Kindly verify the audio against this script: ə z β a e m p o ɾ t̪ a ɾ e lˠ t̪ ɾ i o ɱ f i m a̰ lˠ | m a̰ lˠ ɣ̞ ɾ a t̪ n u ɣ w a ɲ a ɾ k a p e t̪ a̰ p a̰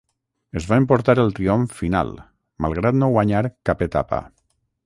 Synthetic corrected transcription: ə z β a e m p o ɾ t̪ a ɾ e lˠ t̪ ɾ i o ɱ f i n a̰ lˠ | m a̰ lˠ ɣ̞ ɾ a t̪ n o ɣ w a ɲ a ɾ k a p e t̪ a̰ p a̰

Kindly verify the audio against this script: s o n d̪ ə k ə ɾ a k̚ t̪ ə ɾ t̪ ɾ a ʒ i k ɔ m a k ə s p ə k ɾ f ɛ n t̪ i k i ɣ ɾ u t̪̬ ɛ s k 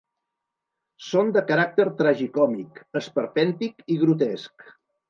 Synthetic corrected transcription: s o n d̪ ə k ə ɾ a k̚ t̪ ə ɾ t̪ ɾ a ʒ i k ɔ m i k ə s p ə ɾ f ɛ n t̪ i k i ɣ ɾ u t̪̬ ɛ s k

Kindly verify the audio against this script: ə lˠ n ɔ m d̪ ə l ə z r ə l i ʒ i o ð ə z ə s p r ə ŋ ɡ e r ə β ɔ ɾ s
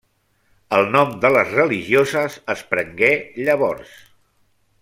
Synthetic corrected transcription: ə lˠ n ɔ m d̪ ə l ə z r ə l i ʒ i o z ə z ə s p ɾ ə ŋ ɡ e ʎ ə β ɔ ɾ s

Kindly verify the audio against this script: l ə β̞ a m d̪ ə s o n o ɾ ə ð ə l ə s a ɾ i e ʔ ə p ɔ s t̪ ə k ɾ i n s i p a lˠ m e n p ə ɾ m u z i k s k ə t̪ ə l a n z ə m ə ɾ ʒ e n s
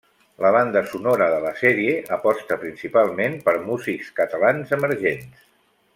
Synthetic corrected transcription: l ə β̞ a n d̪ ə s u n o ɾ ə ð ə l ə s ɛ ɾ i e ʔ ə p ɔ s t̪ ə p ɾ i n s i p a lˠ m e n p ə ɾ m u z i k s k ə t̪ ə l a n z ə m ə ɾ ʒ e n s

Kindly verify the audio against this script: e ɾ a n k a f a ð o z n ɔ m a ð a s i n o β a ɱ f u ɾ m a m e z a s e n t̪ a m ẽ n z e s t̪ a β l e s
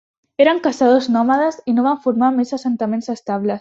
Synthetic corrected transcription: e ɾ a ŋ k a s a ð o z n ɔ m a ð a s i n o β a ɱ f u ɾ m a m e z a s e n t̪ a m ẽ n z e s t̪ a β l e s

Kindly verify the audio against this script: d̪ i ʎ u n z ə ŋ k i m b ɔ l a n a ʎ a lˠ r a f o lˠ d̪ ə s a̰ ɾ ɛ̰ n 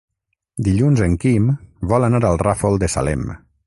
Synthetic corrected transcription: d̪ i ʎ u n z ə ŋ k i m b ɔ l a n a ɾ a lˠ r a f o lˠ d̪ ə s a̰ l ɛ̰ m

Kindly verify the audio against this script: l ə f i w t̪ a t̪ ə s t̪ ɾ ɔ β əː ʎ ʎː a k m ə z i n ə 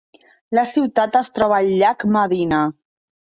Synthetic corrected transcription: l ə s i w t̪ a t̪ ə s t̪ ɾ ɔ β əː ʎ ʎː a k m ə ð i n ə

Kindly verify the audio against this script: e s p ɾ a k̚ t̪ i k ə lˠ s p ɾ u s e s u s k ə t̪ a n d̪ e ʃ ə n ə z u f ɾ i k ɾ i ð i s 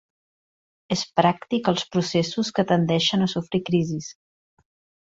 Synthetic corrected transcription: e s p ɾ a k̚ t̪ i k ə lˠ s p ɾ u s e s u s k ə t̪ ə n d̪ ɛ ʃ ə n ə s u f ɾ i k ɾ i z i s

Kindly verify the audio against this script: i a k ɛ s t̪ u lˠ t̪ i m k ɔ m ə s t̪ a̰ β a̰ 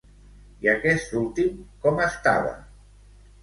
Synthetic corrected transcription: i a k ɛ s t̪ u lˠ t̪ i m k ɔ m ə s t̪ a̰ β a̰

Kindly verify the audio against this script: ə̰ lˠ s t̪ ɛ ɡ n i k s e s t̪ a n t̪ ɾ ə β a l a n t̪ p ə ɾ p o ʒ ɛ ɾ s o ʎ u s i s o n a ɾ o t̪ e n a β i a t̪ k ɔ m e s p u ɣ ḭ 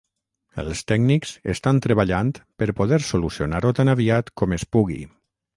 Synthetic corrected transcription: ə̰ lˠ s t̪ ɛ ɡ n i k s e s t̪ a n t̪ ɾ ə β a ʎ a n t̪ p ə ɾ p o ð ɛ ɾ s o l u s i o n a ɾ o t̪ a n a β i a t̪ k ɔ m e s p u ɣ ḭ

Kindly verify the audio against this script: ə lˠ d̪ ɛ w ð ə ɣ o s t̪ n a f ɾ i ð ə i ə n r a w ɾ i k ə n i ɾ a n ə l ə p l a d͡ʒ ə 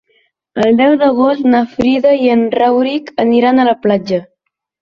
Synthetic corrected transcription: ə lˠ d̪ ɛ w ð ə ɣ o s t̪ n a f ɾ i ð ə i ə n r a w ɾ i k ə n i ɾ a n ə l ə p l a d͡ʒ ə

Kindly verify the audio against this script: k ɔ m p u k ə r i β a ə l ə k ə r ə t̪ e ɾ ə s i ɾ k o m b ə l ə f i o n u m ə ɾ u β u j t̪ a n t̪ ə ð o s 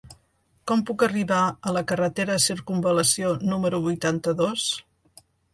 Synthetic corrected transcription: k ɔ m p u k ə r i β a ə l ə k ə r ə t̪ e ɾ ə s i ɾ k u m b ə l ə s i o n u m ə ɾ u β u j t̪ a n t̪ ə ð o s

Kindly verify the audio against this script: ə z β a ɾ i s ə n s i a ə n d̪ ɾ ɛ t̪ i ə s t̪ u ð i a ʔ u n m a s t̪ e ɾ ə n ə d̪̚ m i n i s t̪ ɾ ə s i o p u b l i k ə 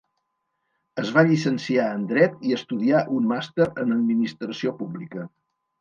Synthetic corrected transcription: ə z β a ʎ i s ə n s i a ə n d̪ ɾ ɛ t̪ i ə s t̪ u ð i a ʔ u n m a s t̪ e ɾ ə n ə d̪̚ m i n i s t̪ ɾ ə s i o p u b l i k ə

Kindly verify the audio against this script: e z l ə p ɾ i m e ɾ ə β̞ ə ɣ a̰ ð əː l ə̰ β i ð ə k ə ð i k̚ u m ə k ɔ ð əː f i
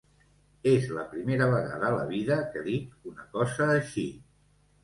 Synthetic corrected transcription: e z l ə p ɾ i m e ɾ ə β̞ ə ɣ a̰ ð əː l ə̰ β i ð ə k ə ð i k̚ u n ə k ɔ z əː ʃ i

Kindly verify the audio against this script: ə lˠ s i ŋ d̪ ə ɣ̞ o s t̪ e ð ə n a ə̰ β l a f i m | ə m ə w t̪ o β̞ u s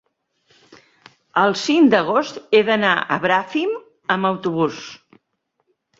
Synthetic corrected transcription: ə lˠ s i ŋ d̪ ə ɣ̞ o s t̪ e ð ə n a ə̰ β ɾ a f i m | ə m ə w t̪ u β̞ u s

